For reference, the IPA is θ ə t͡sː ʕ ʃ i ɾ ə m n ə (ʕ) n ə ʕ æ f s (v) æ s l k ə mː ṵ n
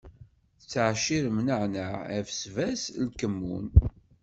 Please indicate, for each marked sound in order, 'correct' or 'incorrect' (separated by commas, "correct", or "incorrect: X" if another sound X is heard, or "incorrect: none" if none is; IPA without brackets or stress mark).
correct, correct